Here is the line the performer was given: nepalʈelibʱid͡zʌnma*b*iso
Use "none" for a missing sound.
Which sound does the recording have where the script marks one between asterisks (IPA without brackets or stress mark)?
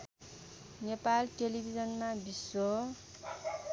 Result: b